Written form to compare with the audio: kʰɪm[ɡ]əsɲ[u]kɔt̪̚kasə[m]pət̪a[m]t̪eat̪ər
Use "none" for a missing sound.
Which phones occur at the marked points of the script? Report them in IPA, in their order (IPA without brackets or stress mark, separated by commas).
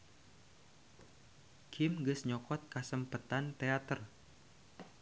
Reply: ɡ, ɔ, m, n